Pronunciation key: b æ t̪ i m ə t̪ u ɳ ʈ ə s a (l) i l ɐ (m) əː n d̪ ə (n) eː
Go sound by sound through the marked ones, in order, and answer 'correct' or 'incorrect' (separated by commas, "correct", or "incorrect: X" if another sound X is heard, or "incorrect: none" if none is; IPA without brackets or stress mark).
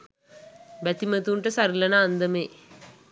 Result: incorrect: ɾ, incorrect: n, incorrect: m